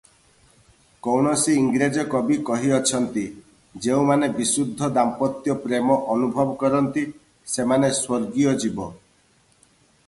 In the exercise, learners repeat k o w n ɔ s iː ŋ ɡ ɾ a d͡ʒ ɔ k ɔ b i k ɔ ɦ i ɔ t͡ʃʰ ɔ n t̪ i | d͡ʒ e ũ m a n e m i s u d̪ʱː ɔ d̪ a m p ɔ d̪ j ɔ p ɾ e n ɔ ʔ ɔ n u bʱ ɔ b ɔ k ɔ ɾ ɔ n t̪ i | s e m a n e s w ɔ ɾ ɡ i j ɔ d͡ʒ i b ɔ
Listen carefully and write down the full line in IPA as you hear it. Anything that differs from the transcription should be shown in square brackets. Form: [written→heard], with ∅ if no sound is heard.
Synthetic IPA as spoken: k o w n ɔ s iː ŋ ɡ ɾ [a→e] d͡ʒ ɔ k ɔ b i k ɔ ɦ i ɔ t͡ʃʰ ɔ n t̪ i | d͡ʒ e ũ m a n e [m→b] i s u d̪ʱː ɔ d̪ a m p ɔ [d̪→t̪] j ɔ p ɾ e [n→m] ɔ ʔ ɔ n u bʱ ɔ b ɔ k ɔ ɾ ɔ n t̪ i | s e m a n e s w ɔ ɾ ɡ i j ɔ d͡ʒ i b ɔ